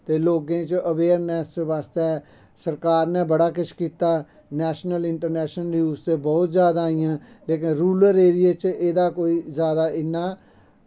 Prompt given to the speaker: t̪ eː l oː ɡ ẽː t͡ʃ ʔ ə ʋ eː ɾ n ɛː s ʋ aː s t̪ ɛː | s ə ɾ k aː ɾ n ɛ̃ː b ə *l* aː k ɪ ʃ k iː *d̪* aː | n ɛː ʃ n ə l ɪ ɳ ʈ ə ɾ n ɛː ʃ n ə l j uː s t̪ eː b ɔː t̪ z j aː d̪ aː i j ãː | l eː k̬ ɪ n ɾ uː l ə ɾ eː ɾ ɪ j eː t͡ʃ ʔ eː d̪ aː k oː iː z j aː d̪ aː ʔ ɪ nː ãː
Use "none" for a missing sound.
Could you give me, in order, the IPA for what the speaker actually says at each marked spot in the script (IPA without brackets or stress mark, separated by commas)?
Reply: ɽ, t̪